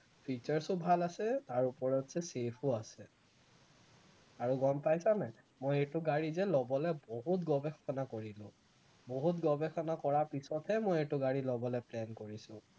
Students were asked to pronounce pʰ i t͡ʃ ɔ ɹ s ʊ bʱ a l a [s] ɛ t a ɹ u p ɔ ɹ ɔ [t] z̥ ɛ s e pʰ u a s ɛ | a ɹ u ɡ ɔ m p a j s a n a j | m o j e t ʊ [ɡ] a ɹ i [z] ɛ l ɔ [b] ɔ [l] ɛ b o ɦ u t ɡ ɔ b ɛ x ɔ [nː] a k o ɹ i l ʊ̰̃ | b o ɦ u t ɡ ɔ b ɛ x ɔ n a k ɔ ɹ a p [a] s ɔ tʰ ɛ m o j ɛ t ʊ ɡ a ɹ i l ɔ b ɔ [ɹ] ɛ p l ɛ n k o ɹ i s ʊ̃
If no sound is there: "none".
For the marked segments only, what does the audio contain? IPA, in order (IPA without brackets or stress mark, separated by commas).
s, t, ɡ, z, b, l, n, i, l